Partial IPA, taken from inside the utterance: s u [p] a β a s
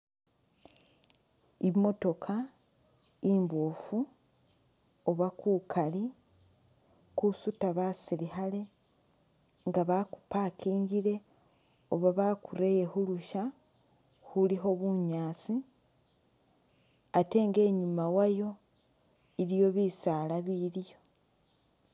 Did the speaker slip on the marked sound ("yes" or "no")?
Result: yes